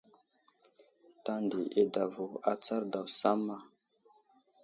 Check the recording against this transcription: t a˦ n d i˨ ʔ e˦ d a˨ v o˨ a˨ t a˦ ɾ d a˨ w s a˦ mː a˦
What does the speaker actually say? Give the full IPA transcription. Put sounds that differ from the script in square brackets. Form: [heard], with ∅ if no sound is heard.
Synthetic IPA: t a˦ n d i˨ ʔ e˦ d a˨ v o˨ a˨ [t͡s] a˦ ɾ d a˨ w s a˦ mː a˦